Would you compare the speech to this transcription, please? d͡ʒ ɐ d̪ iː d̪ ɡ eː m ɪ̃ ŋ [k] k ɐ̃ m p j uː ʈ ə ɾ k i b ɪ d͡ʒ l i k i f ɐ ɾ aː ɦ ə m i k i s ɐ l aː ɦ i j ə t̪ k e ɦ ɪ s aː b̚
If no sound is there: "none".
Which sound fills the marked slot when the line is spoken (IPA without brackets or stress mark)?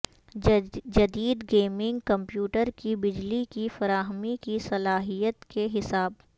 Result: ɡ